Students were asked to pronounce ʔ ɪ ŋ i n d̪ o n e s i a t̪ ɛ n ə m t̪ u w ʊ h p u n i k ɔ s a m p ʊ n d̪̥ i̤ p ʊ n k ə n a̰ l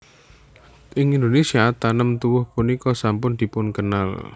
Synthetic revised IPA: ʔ ɪ ŋ i n d̪ o n e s i a t̪ a n ə m t̪ u w ʊ h p u n i k ɔ s a m p ʊ n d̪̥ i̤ p ʊ n k ə n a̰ l

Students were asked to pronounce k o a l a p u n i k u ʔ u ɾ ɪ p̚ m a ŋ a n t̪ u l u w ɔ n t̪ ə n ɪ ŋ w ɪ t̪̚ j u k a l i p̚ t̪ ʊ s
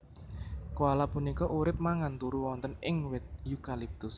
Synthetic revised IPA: k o a l a p u n i k ɔ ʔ u ɾ ɪ p̚ m a ŋ a n t̪ u ɾ u w ɔ n t̪ ə n ɪ ŋ w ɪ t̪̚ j u k a l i p̚ t̪ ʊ s

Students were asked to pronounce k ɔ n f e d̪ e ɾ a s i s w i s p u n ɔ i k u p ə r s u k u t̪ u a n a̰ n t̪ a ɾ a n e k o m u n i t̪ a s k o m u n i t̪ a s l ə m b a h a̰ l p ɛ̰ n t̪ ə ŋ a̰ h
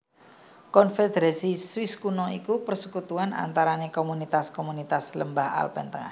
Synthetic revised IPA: k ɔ n f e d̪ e ɾ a s i s w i s k u n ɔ i k u p ə r s u k u t̪ u a n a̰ n t̪ a ɾ a n e k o m u n i t̪ a s k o m u n i t̪ a s l ə m b a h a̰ l p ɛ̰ n t̪ ə ŋ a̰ h

